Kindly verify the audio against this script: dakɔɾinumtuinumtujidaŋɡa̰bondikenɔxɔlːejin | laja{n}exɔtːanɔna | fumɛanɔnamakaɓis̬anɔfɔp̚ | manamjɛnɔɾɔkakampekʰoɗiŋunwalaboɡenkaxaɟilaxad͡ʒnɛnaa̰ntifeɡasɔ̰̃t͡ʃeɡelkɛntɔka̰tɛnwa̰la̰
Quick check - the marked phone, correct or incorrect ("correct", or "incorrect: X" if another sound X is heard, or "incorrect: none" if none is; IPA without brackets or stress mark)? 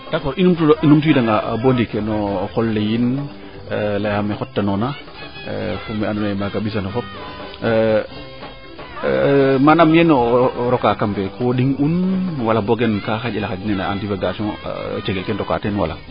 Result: incorrect: m